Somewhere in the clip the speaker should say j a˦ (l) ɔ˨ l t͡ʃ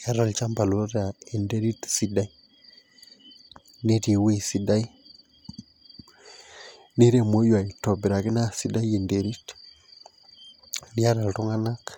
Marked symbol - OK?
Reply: no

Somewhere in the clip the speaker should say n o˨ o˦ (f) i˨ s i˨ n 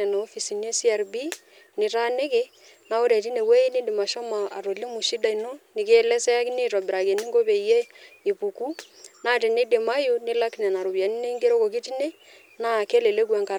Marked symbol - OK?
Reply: yes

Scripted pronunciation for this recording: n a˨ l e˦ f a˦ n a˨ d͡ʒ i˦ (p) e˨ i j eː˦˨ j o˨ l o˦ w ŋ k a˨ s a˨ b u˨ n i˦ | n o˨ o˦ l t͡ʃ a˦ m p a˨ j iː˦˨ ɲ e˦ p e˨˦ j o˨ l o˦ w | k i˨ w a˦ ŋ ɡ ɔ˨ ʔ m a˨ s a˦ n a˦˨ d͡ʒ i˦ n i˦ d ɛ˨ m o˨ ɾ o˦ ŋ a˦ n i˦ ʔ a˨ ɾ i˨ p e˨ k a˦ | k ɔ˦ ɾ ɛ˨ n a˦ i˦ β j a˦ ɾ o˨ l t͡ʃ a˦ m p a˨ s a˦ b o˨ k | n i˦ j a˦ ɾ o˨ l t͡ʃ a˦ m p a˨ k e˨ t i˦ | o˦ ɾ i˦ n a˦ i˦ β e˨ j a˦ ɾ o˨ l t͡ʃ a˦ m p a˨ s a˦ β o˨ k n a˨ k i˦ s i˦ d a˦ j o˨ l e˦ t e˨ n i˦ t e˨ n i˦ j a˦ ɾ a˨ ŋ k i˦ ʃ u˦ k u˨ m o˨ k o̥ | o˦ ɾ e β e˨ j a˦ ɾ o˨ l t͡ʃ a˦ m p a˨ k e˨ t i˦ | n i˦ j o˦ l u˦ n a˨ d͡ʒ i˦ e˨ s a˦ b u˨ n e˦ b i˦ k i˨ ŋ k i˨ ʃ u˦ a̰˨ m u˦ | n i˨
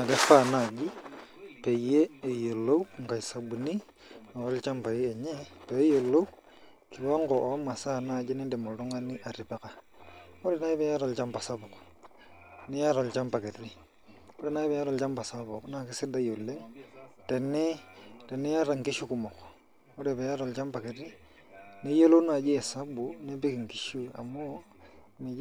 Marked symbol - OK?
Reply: yes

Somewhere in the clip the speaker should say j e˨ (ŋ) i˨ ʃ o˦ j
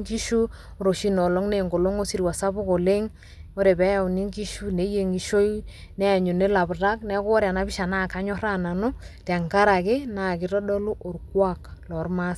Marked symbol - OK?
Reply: yes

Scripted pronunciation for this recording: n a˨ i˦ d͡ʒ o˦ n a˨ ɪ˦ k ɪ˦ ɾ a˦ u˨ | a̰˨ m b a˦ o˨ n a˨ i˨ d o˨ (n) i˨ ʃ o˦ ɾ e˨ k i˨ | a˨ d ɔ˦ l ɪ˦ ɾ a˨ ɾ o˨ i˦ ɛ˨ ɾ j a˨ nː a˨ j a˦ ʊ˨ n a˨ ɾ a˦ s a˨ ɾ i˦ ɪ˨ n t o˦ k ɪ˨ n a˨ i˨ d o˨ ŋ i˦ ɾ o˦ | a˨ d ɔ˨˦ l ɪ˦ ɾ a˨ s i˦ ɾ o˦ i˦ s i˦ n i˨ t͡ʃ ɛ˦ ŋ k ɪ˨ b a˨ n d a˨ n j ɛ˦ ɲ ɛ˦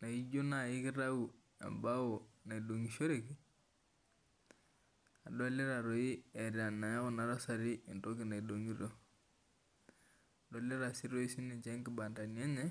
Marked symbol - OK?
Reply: no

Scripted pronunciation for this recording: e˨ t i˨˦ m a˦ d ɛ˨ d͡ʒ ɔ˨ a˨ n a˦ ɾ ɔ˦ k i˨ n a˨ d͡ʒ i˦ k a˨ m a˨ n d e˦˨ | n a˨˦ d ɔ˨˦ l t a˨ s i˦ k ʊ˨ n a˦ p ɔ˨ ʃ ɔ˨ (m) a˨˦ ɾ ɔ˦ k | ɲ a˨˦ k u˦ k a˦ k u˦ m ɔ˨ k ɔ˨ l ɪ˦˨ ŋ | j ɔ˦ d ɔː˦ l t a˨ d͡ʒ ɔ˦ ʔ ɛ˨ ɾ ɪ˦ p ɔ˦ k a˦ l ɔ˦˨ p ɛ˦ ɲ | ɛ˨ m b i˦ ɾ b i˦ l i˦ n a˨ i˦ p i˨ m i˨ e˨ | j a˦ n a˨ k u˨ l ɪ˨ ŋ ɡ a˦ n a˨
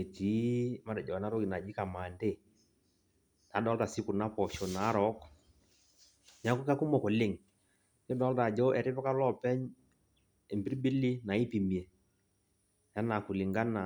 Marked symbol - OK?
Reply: no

